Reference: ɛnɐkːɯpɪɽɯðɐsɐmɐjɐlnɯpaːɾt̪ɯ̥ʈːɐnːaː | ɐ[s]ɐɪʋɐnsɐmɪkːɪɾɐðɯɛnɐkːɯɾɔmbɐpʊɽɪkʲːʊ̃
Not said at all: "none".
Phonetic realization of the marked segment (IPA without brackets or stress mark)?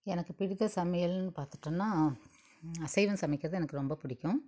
s